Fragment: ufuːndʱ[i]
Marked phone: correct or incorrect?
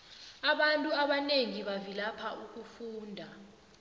incorrect